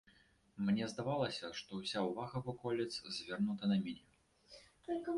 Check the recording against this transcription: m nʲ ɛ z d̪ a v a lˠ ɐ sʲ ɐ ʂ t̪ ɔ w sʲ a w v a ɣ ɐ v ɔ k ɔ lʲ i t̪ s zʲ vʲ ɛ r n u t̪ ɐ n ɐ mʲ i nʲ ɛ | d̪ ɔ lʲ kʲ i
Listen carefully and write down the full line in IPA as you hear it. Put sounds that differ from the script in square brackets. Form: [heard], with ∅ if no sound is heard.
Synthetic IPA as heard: m nʲ ɛ z d̪ a v a lˠ ɐ sʲ ɐ ʂ t̪ ɔ w sʲ a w v a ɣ ɐ v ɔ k ɔ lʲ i t̪ s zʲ vʲ ɛ r n u t̪ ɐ n ɐ mʲ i nʲ ɛ | [t̪] ɔ lʲ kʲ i